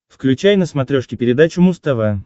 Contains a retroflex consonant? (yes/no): yes